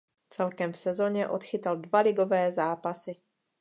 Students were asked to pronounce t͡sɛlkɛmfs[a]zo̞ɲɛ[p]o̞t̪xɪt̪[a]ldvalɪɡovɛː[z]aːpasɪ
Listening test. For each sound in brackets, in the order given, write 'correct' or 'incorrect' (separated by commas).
incorrect, incorrect, correct, correct